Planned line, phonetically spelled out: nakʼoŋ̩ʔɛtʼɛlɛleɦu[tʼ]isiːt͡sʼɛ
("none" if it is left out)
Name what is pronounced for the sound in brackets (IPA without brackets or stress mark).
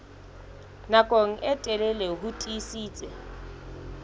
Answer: tʼ